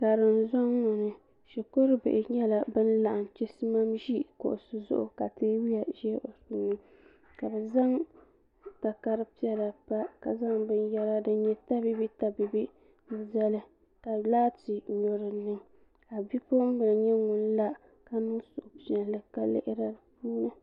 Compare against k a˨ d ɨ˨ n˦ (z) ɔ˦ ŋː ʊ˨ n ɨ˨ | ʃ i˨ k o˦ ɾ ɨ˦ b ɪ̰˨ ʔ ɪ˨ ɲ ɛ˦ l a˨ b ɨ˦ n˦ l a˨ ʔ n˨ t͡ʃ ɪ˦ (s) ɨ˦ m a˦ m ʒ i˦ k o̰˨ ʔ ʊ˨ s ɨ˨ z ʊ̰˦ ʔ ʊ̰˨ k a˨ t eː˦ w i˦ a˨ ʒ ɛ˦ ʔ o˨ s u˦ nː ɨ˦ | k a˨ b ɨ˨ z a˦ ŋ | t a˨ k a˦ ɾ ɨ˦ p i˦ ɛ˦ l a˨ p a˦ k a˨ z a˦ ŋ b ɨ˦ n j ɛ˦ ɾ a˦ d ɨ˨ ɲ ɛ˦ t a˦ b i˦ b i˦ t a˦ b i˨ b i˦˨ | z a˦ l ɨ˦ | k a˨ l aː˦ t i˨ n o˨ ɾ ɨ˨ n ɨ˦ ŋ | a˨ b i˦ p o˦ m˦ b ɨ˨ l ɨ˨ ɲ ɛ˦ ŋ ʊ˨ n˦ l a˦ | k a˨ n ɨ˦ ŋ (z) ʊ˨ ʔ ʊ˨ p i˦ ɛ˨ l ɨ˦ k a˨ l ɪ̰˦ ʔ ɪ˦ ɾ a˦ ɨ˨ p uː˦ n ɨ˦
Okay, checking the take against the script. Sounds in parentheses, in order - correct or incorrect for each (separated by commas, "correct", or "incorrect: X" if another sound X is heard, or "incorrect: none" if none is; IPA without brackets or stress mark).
correct, correct, incorrect: s